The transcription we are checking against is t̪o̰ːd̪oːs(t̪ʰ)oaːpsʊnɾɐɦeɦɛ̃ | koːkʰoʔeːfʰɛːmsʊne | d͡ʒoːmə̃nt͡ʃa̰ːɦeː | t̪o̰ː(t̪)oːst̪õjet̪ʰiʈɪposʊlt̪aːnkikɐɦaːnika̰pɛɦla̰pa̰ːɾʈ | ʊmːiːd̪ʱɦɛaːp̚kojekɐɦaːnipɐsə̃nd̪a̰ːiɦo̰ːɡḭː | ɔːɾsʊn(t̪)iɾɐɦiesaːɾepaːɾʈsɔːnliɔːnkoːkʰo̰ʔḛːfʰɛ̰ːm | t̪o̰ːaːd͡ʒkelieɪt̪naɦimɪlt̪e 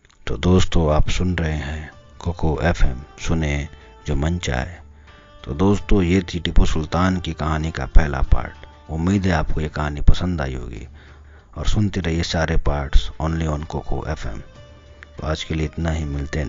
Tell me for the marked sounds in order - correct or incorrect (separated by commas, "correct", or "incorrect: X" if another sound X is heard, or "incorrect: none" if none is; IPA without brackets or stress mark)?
incorrect: t̪, incorrect: d̪, correct